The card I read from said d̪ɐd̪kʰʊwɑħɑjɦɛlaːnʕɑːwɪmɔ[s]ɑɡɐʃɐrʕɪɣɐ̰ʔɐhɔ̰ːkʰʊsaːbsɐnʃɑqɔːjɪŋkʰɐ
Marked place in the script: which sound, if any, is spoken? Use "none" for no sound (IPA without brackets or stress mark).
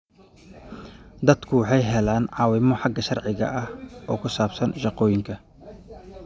ħ